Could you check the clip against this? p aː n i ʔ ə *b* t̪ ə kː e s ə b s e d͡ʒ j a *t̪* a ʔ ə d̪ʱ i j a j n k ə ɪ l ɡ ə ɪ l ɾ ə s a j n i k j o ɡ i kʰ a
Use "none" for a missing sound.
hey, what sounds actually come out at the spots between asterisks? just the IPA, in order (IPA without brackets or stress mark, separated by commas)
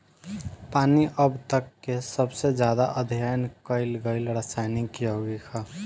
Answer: b, d̪